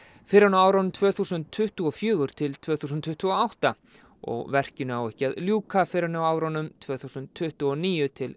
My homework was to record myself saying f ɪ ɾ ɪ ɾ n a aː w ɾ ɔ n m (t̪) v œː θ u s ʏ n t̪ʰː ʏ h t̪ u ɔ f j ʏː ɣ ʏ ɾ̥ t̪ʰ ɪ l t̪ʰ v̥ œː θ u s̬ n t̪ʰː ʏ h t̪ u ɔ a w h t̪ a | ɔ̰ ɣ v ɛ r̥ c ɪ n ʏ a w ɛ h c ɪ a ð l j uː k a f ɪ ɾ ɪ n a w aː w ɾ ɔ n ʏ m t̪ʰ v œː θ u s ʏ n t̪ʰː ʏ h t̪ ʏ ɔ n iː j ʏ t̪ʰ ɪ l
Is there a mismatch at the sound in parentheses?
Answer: yes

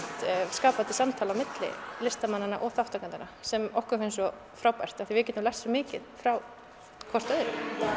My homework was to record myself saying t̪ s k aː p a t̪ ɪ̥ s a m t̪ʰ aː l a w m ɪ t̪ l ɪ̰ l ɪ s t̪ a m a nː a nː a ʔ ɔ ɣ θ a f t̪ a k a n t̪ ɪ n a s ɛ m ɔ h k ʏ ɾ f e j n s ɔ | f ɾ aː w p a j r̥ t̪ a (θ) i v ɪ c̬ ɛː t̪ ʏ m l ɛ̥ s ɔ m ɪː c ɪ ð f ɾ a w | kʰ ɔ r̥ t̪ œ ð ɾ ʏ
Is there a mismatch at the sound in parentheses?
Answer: no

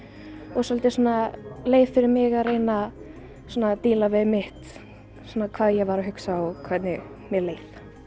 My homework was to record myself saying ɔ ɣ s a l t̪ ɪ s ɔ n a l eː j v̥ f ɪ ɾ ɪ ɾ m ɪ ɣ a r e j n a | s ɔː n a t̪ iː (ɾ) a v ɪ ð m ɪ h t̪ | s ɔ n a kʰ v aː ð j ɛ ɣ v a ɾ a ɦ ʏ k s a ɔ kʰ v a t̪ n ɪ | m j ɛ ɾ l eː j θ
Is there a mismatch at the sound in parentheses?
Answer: yes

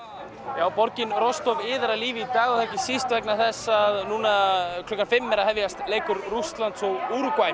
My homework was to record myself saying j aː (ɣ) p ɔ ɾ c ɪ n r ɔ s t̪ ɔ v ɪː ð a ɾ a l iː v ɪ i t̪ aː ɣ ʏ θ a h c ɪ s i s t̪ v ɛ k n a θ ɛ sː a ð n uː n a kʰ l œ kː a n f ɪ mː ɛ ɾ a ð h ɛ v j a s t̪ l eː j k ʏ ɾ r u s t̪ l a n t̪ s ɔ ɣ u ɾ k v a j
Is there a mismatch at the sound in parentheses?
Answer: yes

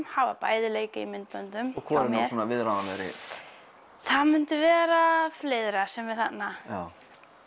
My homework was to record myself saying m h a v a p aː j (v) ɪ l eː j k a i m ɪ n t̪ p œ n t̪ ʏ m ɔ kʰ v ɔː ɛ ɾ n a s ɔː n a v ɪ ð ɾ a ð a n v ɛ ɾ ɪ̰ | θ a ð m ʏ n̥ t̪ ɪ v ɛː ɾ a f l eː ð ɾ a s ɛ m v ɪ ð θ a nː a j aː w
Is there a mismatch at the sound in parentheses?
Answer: yes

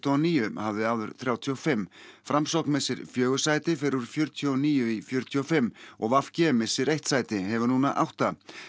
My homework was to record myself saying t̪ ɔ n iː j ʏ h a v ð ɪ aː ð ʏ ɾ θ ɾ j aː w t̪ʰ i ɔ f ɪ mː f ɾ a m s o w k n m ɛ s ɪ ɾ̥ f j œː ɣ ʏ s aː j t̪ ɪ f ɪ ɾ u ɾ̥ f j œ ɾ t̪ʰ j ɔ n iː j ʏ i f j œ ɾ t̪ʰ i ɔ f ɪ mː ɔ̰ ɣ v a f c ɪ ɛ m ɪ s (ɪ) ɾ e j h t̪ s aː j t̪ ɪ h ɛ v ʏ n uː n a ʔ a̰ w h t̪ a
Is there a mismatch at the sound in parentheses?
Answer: no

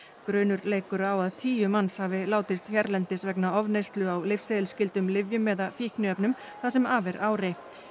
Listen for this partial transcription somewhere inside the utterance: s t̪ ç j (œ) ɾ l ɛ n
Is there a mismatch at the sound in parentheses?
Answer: yes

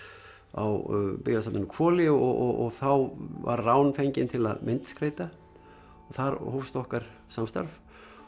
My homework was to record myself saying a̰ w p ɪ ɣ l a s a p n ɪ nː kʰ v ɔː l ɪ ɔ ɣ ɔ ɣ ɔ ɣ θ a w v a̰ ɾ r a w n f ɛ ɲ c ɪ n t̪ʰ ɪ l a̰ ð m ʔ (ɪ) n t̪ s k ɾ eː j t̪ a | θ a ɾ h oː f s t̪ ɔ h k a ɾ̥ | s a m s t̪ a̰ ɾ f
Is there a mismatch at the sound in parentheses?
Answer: no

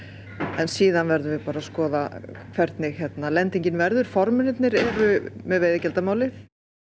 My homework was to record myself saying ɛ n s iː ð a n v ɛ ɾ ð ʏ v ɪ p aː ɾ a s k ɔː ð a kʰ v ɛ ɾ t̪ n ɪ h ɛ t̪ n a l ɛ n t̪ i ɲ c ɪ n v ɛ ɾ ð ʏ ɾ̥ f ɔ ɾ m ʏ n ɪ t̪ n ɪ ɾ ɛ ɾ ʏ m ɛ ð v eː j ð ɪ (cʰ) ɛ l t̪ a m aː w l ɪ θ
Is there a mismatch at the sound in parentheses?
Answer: yes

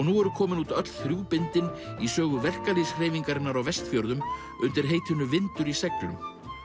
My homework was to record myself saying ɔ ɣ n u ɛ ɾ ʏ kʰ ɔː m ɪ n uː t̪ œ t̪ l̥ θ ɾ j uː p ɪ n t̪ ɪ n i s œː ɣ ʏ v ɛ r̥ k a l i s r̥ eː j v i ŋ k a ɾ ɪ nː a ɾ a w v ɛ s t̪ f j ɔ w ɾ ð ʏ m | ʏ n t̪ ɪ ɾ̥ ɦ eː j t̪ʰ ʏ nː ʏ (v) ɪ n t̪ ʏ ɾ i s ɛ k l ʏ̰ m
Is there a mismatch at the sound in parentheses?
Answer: no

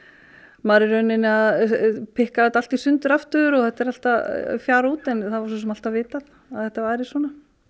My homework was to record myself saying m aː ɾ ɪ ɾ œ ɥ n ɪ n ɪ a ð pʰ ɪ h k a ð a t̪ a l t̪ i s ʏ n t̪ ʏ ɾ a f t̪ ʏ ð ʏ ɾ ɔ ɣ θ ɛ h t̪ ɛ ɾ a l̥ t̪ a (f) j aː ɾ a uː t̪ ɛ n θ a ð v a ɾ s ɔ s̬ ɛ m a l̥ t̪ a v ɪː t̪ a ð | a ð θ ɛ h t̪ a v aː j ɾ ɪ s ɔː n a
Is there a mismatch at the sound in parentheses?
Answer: no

